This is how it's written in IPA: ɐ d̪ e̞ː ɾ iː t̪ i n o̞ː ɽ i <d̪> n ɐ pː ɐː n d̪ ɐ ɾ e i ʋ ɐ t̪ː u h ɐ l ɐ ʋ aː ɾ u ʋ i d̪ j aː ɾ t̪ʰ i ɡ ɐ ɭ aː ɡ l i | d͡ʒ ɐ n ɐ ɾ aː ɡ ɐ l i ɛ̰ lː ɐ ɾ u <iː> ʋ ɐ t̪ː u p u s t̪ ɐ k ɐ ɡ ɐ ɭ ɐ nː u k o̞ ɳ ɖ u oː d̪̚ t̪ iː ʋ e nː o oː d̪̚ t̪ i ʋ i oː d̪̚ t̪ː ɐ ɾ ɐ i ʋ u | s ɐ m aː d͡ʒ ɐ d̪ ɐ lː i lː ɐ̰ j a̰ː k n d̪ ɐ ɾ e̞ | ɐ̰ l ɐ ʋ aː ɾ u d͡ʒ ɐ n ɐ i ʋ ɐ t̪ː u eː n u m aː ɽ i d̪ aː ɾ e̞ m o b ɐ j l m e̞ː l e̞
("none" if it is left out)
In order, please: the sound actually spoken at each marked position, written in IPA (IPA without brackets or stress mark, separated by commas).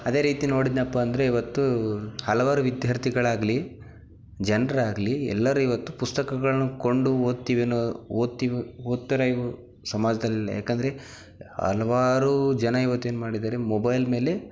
d̪, i